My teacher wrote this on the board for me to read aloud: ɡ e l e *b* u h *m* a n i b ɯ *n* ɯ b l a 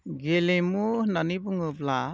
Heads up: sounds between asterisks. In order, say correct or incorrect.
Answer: incorrect, incorrect, incorrect

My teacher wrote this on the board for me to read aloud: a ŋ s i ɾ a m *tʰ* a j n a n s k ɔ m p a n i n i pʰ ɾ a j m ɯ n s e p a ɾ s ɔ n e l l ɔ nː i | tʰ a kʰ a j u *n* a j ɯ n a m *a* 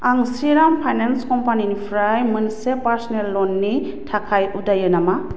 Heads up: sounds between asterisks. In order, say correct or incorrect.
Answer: incorrect, incorrect, correct

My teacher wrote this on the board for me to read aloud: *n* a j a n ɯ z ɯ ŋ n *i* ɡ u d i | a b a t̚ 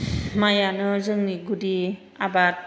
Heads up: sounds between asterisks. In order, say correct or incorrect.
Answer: incorrect, correct

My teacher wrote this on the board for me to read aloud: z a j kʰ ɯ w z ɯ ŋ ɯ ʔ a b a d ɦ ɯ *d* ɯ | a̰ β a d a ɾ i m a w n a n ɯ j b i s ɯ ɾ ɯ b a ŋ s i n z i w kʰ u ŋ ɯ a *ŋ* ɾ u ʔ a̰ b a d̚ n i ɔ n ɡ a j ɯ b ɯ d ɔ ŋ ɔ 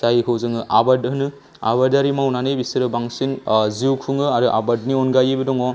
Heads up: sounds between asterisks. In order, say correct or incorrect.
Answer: incorrect, incorrect

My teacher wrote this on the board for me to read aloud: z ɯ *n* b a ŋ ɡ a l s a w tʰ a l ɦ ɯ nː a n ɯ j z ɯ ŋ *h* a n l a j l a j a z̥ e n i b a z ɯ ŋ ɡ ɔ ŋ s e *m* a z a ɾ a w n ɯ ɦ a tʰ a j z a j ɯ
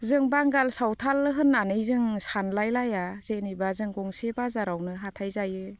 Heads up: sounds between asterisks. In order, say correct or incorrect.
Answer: incorrect, incorrect, incorrect

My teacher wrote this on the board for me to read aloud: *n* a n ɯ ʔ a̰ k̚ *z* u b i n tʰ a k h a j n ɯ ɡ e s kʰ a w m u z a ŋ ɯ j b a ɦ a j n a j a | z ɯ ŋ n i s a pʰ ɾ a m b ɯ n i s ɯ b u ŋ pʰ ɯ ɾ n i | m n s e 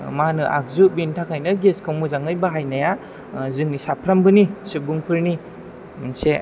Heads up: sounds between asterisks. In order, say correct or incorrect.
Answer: incorrect, correct

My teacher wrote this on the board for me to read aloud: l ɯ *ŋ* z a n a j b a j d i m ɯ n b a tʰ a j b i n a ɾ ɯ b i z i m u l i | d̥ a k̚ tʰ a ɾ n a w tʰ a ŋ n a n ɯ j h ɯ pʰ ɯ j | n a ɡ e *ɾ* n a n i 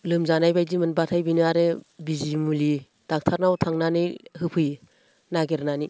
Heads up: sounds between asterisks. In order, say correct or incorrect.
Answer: incorrect, correct

